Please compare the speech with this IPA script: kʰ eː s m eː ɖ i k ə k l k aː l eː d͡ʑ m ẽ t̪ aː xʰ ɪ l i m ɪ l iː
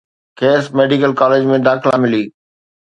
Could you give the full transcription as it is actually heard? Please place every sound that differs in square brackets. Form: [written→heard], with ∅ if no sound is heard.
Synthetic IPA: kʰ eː s m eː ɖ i k ə [k→∅] l k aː l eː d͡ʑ m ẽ [t̪→d̪] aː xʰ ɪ l [i→a] m ɪ l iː